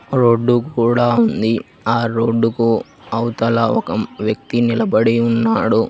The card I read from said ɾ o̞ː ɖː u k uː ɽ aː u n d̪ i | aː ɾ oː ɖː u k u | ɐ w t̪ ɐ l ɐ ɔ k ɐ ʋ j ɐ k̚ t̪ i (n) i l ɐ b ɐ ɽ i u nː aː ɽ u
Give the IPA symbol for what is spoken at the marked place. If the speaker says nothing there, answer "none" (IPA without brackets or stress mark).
n